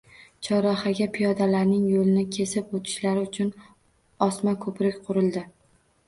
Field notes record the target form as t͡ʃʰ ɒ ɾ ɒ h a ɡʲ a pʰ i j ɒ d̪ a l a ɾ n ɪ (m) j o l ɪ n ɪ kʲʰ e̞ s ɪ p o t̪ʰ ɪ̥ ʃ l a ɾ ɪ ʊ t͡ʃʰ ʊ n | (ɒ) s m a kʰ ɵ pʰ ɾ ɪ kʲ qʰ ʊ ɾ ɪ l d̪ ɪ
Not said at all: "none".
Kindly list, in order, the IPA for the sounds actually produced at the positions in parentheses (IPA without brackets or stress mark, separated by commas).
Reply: ŋ, ɒ